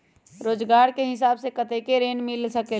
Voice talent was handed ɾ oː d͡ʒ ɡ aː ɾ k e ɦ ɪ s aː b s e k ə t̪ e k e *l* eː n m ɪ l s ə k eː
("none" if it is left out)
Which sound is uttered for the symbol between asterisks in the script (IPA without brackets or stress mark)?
ɾ